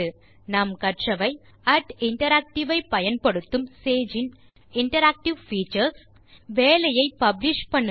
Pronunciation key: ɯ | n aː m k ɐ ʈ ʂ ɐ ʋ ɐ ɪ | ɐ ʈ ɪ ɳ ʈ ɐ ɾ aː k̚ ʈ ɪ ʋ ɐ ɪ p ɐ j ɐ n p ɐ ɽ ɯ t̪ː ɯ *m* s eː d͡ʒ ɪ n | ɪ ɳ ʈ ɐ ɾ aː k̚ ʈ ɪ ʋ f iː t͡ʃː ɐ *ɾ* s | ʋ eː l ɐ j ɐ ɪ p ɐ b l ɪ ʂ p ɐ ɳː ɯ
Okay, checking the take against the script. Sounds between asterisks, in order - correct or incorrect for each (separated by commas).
correct, correct